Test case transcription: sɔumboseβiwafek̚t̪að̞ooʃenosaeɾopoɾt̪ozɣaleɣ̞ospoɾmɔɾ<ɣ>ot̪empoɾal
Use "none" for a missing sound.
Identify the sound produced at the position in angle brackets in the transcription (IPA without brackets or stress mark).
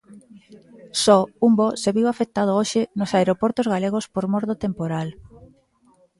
ð